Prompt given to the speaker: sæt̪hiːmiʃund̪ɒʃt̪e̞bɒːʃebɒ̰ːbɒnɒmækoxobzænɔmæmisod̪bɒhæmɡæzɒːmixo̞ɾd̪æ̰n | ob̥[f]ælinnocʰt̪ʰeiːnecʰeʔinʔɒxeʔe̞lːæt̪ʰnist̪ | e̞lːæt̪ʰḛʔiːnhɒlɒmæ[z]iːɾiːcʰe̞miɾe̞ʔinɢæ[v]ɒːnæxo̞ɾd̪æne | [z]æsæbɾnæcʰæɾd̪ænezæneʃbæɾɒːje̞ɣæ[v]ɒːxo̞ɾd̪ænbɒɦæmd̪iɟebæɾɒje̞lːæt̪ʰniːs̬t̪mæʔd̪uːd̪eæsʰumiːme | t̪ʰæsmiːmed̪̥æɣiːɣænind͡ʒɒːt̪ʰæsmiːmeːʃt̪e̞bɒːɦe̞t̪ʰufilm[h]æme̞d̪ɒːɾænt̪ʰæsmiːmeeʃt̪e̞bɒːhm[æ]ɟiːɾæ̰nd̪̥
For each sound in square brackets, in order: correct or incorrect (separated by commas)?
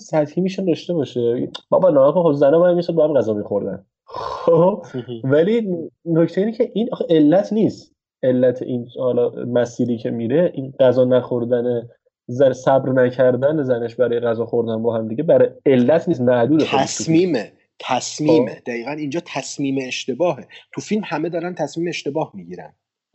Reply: incorrect, incorrect, incorrect, correct, incorrect, correct, incorrect